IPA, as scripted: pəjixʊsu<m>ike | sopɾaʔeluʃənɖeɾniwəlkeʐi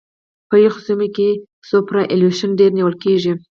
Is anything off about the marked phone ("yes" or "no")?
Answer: no